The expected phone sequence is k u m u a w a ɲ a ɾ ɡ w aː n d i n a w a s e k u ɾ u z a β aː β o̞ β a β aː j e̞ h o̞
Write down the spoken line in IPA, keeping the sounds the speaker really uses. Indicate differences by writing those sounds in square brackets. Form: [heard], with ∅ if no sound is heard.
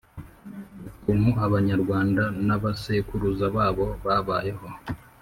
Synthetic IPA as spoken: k u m u a [β] a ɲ a ɾ ɡ w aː n d [a] n a [β] a s e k u ɾ u z a β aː β o̞ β a β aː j e̞ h o̞